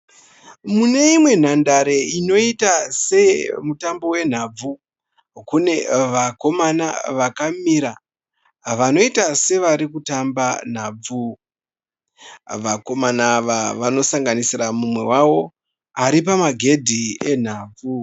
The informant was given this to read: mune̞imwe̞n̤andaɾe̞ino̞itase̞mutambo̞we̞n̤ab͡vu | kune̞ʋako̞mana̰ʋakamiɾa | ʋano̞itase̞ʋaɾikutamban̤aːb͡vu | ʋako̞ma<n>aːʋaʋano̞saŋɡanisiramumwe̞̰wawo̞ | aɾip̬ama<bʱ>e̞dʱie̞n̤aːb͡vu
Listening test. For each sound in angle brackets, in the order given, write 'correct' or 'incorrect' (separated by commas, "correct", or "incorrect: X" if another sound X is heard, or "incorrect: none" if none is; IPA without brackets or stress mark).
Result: correct, incorrect: ɡʱ